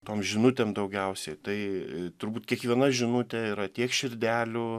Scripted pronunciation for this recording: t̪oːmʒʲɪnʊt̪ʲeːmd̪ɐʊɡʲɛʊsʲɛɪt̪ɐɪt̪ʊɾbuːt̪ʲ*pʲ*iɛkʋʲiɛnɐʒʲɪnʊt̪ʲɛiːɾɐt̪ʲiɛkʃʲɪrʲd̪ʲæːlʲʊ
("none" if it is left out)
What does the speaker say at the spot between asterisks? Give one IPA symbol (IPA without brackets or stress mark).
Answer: kʲ